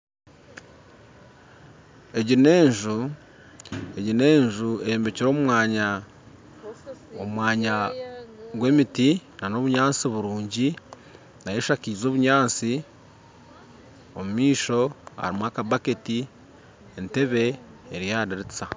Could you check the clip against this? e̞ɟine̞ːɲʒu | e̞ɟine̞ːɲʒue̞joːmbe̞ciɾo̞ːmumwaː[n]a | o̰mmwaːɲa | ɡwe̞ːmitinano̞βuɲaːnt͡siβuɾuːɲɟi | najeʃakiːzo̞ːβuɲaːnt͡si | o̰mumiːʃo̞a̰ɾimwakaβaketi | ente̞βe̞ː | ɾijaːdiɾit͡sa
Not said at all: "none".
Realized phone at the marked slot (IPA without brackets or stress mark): ɲ